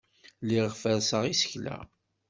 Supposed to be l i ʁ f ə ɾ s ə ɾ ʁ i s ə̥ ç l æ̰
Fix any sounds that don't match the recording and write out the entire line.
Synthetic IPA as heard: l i ʁ f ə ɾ s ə ʁ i s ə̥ ç l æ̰